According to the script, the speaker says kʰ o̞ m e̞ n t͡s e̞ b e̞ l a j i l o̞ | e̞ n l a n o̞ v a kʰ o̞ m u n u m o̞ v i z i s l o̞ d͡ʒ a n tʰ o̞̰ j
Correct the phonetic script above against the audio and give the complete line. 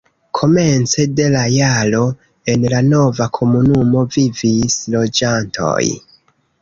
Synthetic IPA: kʰ o̞ m e̞ n t͡s e̞ d e̞ l a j a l o̞ | e̞ n l a n o̞ v a kʰ o̞ m u n u m o̞ v i v i s l o̞ d͡ʒ a n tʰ o̞̰ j